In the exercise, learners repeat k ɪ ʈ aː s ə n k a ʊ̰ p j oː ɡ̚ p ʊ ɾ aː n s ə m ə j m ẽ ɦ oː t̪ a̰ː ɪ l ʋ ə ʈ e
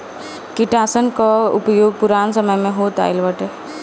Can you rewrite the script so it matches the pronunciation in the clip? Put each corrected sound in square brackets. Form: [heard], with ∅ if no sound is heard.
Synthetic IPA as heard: k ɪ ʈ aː s ə n k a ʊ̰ p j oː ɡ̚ p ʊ ɾ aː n s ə m ə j m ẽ ɦ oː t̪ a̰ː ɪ l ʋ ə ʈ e